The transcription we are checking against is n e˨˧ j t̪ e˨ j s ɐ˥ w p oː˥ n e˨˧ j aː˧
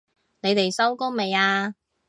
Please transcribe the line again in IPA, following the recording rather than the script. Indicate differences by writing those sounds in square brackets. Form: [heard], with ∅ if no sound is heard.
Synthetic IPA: n e˨˧ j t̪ e˨ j s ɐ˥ w [k] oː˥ [m] e˨˧ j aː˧